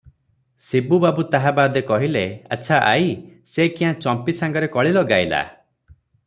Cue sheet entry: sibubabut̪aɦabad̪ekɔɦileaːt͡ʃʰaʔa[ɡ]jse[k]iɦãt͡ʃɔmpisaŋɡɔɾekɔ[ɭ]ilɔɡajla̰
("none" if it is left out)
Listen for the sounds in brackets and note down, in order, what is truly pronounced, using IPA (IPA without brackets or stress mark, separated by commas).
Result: none, k, ɭ